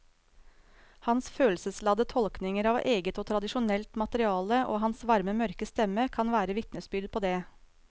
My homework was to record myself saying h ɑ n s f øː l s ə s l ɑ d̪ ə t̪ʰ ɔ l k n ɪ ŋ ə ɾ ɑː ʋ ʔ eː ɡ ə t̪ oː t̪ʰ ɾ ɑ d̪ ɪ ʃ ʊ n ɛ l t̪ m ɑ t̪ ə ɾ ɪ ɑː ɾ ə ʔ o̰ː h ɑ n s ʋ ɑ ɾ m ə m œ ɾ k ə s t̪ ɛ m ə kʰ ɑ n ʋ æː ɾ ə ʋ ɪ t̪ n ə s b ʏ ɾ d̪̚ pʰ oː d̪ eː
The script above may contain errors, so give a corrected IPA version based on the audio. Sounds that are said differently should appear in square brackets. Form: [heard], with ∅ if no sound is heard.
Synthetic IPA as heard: h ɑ n s f øː l s ə s l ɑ d̪ ə t̪ʰ ɔ l k n ɪ ŋ ə ɾ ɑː ʋ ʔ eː ɡ ə t̪ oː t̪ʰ ɾ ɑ d̪ ɪ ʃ ʊ n ɛ l t̪ m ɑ t̪ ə ɾ ɪ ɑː [l] ə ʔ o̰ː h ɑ n s ʋ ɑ ɾ m ə m œ ɾ k ə s t̪ ɛ m ə kʰ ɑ n ʋ æː ɾ ə ʋ ɪ t̪ n ə s b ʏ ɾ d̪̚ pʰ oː d̪ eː